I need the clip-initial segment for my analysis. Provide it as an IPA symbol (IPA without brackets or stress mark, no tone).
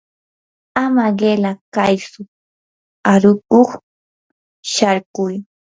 a